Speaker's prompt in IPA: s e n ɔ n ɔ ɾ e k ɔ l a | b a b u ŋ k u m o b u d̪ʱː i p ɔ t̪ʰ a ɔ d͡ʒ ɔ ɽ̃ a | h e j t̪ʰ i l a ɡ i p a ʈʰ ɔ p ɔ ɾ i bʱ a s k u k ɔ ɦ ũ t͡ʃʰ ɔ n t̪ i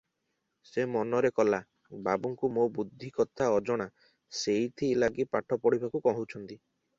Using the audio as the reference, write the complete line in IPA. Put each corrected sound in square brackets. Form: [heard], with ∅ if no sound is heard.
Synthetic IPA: s e [m] ɔ n ɔ ɾ e k ɔ l a | b a b u ŋ k u m o b u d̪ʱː i [k] ɔ t̪ʰ a ɔ d͡ʒ ɔ ɽ̃ a | [s] e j t̪ʰ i l a ɡ i p a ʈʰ ɔ p ɔ [ɽ] i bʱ a [∅] k u k ɔ ɦ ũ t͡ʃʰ ɔ n t̪ i